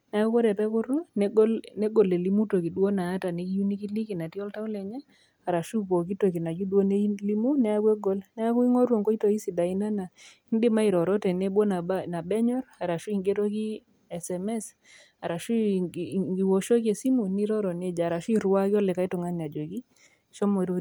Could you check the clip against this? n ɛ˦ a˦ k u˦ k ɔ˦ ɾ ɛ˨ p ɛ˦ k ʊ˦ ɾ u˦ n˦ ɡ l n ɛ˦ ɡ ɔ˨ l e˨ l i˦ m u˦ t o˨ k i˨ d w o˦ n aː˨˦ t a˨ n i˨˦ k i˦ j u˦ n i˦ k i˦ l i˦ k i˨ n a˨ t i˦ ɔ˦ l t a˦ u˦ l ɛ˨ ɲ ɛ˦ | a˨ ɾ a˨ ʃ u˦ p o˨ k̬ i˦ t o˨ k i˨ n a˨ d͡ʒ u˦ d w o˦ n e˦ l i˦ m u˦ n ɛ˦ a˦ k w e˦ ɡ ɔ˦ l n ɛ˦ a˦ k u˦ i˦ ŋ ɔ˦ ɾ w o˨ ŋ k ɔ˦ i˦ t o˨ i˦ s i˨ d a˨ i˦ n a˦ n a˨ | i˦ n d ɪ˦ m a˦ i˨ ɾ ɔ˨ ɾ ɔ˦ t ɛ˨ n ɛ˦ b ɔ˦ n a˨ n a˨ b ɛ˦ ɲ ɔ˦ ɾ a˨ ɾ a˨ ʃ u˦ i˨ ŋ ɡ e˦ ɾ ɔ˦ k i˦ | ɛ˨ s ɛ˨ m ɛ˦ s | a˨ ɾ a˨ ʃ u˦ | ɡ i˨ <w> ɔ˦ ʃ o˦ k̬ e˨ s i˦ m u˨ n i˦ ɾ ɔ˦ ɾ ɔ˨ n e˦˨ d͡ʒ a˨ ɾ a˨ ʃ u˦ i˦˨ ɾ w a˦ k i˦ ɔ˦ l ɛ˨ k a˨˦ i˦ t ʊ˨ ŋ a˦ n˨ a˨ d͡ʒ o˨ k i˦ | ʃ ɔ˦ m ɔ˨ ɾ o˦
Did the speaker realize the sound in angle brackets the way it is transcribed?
yes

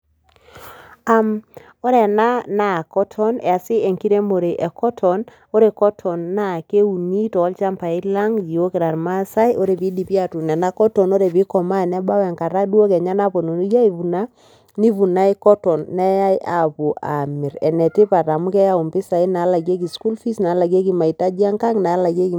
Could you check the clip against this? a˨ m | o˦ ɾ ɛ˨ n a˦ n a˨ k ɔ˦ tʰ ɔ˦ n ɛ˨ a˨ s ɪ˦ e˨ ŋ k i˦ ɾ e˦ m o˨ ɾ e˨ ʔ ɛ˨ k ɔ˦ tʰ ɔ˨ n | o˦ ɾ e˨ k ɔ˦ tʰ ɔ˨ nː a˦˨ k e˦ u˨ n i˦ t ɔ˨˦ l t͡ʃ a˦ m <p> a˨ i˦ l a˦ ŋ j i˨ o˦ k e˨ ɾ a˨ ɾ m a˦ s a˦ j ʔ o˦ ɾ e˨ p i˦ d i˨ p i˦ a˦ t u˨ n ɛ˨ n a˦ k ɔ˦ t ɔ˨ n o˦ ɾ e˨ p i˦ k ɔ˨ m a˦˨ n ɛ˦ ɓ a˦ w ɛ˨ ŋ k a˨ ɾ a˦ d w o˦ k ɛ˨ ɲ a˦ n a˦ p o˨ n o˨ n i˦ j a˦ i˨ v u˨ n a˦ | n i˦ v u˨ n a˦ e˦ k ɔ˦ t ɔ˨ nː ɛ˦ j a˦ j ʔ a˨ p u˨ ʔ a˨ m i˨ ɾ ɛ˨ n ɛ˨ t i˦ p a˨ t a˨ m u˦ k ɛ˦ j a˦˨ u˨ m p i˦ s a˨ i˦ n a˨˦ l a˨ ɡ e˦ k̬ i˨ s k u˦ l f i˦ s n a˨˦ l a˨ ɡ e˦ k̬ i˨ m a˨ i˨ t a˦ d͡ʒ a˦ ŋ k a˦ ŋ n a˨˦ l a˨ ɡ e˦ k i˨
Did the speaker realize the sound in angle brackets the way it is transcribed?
yes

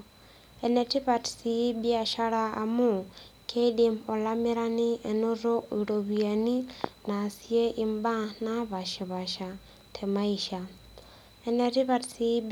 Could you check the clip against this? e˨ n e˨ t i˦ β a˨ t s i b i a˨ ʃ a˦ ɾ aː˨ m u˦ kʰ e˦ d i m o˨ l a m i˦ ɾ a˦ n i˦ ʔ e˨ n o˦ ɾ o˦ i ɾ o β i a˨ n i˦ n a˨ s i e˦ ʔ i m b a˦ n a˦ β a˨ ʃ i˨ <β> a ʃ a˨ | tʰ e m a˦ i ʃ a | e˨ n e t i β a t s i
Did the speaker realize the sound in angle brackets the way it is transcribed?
yes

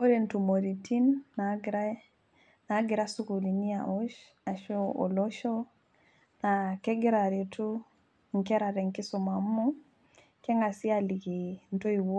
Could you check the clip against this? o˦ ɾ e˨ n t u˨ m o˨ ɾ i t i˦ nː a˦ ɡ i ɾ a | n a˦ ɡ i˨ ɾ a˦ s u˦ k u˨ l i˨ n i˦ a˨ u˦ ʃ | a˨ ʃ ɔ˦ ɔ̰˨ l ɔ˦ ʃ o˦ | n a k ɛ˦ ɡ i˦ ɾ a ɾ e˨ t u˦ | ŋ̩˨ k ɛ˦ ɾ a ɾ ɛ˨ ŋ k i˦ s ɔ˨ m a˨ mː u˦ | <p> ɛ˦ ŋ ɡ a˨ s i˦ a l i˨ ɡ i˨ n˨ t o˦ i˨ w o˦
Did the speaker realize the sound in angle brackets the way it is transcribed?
no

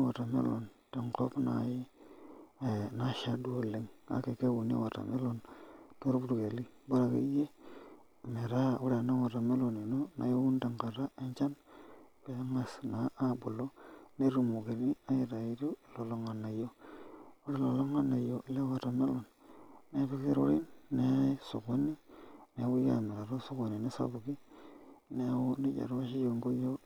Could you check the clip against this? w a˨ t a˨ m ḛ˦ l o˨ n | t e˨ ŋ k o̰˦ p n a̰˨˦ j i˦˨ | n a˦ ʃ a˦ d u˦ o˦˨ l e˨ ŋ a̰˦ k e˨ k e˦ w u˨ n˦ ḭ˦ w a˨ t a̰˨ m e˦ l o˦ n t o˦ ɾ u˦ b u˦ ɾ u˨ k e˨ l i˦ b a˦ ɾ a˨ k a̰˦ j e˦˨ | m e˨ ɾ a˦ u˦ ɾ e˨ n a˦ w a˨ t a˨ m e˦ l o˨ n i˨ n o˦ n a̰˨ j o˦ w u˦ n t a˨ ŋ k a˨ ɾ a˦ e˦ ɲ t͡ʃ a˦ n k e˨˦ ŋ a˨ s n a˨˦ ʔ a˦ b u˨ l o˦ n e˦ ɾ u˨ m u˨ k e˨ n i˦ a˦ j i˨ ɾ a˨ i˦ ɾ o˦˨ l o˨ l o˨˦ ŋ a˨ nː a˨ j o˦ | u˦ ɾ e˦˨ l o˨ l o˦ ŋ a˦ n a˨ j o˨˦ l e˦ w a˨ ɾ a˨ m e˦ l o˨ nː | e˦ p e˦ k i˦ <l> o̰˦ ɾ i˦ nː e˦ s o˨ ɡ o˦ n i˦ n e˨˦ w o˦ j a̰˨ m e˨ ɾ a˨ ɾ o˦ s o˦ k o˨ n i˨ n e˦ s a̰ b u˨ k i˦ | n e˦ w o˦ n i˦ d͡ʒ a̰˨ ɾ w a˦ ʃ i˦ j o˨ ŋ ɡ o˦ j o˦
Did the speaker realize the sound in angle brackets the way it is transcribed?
no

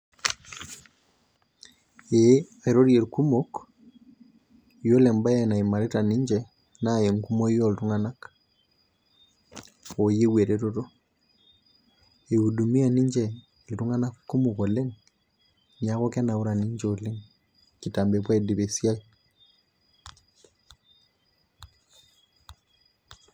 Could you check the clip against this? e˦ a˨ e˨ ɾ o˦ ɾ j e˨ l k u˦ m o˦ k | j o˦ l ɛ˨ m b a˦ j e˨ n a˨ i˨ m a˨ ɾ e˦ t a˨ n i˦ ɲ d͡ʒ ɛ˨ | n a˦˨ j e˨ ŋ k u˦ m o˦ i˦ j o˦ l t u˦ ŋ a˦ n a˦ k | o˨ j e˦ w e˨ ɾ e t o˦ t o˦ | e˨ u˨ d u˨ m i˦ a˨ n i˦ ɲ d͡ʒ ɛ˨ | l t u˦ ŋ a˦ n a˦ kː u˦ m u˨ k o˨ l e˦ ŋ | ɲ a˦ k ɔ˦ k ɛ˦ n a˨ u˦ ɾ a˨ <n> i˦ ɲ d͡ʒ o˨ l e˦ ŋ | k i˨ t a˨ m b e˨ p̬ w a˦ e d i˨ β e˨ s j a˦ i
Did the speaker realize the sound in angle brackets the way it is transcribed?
yes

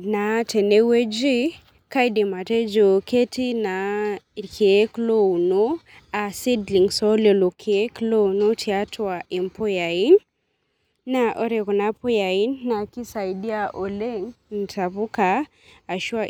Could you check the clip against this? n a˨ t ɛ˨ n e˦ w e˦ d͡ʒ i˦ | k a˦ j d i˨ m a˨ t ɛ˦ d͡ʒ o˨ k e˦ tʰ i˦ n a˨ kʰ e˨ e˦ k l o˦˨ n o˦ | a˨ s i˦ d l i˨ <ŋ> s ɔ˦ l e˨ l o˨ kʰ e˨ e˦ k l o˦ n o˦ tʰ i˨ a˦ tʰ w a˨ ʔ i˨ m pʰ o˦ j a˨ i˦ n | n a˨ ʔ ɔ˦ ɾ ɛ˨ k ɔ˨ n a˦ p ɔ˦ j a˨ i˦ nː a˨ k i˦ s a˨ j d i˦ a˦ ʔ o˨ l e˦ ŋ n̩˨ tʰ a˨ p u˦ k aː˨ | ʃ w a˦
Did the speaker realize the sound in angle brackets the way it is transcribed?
yes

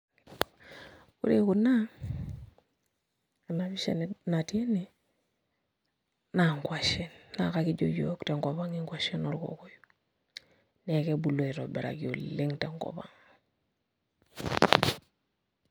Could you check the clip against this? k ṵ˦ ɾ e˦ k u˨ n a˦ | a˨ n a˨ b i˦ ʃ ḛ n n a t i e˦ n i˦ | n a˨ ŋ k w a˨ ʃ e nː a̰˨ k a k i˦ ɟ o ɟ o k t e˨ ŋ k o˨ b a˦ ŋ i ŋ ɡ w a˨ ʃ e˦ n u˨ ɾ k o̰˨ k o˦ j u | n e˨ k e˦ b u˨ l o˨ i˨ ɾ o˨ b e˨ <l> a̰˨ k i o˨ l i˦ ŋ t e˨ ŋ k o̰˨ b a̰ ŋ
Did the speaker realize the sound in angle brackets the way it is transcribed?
no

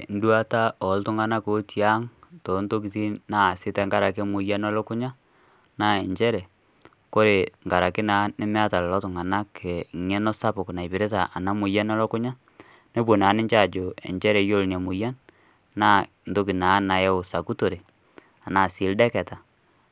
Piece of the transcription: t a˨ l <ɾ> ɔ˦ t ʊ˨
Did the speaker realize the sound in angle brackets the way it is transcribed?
no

